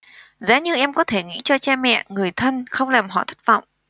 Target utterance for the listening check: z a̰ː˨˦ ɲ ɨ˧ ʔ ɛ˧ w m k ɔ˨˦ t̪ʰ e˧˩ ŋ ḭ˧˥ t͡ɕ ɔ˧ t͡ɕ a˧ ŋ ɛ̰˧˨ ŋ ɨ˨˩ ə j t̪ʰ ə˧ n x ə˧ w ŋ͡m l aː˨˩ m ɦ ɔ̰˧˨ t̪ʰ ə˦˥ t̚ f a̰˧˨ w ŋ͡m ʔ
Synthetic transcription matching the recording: z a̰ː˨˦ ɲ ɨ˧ ʔ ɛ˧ m k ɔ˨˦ t̪ʰ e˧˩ ŋ ḭ˧˥ t͡ɕ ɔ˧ t͡ɕ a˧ m ɛ̰˧˨ ŋ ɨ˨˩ ə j t̪ʰ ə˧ n x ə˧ w ŋ͡m l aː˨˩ m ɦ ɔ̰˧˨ t̪ʰ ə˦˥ t̚ v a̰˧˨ w ŋ͡m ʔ